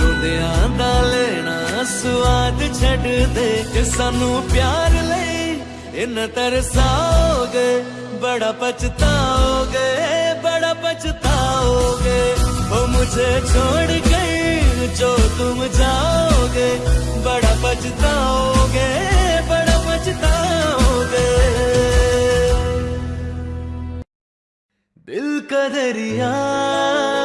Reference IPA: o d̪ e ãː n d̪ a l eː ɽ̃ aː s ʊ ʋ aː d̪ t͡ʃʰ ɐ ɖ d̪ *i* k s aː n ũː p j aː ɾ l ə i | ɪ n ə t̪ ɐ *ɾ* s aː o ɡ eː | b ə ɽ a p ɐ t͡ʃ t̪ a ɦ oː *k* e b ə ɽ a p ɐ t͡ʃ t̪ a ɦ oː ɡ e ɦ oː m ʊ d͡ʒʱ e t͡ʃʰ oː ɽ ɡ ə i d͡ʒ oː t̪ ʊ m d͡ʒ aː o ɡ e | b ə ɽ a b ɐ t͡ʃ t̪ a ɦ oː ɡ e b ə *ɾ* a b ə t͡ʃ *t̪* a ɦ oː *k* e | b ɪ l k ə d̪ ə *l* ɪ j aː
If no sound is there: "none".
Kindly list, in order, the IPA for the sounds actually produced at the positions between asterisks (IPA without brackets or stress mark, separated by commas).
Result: e, ɾ, ɡ, ɽ, t̪, ɡ, ɾ